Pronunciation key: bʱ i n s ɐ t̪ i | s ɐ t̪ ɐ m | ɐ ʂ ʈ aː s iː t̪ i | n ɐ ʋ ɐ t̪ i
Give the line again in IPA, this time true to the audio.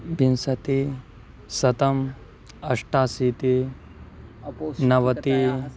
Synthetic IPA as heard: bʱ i n s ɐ t̪ i | s ɐ t̪ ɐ m | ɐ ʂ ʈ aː s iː t̪ i | n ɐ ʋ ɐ t̪ i